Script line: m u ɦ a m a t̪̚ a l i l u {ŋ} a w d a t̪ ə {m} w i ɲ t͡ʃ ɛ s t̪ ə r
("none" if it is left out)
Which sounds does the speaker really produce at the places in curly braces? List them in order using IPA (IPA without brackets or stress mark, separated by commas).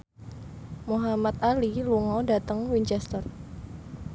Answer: ŋ, ŋ